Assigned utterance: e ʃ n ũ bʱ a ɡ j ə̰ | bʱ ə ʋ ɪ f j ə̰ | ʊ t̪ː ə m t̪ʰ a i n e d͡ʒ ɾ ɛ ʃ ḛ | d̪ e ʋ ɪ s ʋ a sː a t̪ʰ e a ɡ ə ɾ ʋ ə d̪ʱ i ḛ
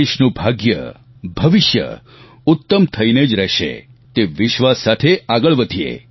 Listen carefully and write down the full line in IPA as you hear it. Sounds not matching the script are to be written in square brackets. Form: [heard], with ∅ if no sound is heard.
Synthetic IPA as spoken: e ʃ n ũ bʱ a ɡ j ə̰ | bʱ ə ʋ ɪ [ʃ] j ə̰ | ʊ t̪ː ə m t̪ʰ [ə] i n e d͡ʒ ɾ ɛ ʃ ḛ | [t̪] e ʋ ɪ [ʃ] ʋ a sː a t̪ʰ e a ɡ ə [ɭ] ʋ ə d̪ʱ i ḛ